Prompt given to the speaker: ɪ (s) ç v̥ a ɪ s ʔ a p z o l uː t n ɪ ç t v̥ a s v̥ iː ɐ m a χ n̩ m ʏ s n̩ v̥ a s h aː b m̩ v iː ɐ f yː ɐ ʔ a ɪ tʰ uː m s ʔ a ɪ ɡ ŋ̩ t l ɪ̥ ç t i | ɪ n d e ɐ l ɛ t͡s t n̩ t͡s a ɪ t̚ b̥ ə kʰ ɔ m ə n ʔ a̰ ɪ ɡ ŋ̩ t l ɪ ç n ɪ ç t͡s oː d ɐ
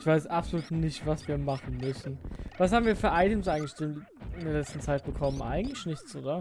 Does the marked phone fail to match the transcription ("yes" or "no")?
yes